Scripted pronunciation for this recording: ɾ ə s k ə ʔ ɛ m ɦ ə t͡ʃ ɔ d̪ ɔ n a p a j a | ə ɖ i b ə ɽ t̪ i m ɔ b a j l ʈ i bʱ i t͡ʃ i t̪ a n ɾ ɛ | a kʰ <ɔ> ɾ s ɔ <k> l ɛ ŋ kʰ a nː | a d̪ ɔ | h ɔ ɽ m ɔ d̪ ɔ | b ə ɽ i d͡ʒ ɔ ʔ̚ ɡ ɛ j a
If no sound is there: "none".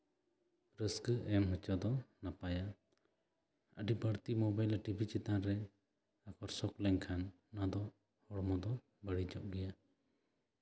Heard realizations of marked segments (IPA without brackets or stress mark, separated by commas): ɔ, k